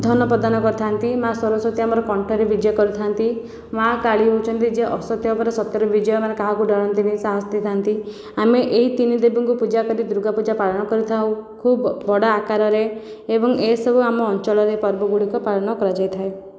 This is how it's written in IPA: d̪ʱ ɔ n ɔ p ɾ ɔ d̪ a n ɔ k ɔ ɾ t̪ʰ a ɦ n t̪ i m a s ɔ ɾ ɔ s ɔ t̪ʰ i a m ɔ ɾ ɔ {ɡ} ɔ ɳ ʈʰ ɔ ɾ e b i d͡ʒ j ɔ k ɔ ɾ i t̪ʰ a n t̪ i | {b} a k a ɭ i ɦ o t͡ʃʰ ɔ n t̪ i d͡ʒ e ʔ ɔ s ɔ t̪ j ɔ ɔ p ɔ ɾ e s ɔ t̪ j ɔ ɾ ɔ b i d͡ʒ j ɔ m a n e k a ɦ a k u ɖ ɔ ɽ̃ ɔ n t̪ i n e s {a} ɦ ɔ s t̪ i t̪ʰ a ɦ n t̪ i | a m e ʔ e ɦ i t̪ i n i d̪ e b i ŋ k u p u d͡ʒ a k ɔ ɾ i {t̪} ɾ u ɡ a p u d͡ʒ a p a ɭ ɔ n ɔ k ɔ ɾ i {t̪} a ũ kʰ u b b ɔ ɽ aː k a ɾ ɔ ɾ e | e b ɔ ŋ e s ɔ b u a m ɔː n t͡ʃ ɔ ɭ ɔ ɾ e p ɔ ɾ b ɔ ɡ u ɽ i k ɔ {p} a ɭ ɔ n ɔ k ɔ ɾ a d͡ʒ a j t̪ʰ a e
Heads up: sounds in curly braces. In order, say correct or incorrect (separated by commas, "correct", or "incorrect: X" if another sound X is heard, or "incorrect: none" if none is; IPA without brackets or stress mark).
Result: incorrect: k, incorrect: m, correct, incorrect: d̪, incorrect: t̪ʰ, correct